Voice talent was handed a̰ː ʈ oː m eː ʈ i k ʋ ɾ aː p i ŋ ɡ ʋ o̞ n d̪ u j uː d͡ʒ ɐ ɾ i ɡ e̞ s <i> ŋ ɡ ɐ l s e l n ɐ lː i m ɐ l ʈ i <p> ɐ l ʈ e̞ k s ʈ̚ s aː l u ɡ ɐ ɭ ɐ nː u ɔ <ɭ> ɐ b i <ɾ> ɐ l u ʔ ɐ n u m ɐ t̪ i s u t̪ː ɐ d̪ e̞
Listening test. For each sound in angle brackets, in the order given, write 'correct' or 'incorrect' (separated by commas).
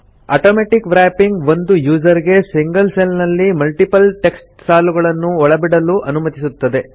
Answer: correct, correct, correct, incorrect